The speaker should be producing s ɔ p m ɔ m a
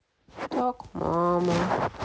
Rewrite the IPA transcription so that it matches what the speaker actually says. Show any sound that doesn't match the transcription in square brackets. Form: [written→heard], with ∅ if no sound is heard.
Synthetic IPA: [s→t] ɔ [p→k] m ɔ m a